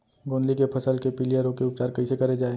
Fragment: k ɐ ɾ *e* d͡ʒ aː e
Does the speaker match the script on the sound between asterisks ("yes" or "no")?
yes